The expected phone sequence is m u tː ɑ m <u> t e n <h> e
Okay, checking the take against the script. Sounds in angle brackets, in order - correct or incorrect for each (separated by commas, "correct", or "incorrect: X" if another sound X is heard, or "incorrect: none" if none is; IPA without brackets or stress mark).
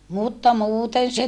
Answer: incorrect: uː, incorrect: s